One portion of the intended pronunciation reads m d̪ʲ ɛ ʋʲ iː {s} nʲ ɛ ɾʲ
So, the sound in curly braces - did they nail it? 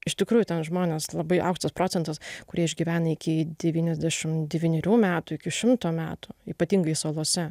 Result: no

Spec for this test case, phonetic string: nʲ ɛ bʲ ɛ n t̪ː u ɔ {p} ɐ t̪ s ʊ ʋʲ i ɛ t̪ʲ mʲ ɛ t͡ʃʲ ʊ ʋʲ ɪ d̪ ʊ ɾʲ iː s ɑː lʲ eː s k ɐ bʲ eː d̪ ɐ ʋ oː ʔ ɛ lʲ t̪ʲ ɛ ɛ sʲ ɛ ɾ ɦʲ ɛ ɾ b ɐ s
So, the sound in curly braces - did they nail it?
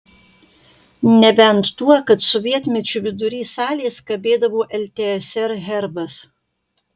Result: no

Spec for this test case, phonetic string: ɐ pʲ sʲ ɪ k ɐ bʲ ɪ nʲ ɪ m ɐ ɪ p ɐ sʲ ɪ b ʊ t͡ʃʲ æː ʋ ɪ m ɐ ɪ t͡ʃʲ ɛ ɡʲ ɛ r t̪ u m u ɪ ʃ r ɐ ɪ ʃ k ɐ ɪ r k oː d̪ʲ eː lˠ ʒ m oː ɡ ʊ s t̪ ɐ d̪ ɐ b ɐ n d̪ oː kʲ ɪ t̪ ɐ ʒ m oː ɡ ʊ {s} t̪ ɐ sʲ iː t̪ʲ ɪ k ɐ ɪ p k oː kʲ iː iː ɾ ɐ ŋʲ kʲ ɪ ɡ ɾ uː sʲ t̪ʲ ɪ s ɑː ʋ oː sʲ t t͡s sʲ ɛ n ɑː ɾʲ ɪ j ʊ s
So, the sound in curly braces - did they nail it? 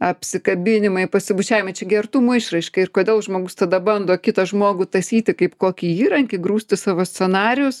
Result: no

